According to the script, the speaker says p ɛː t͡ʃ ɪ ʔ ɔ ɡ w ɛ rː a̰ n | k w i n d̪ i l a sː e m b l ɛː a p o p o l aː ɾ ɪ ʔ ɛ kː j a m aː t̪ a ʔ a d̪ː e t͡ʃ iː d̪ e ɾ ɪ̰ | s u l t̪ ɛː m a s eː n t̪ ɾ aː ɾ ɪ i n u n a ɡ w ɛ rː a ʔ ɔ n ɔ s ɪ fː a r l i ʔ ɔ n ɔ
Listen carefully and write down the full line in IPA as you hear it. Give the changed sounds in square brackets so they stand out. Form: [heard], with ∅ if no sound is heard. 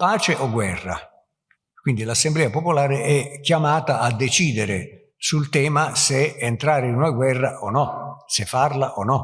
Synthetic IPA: p [aː] t͡ʃ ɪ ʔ ɔ ɡ w ɛ rː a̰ [∅] | k w i n d̪ i l a sː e m b l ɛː a p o p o l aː ɾ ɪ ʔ ɛ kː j a m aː t̪ a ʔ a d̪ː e t͡ʃ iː d̪ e ɾ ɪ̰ | s u l t̪ ɛː m a s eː n t̪ ɾ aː ɾ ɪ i n u n a ɡ w ɛ rː a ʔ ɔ n ɔ s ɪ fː a r l [a] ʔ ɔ n ɔ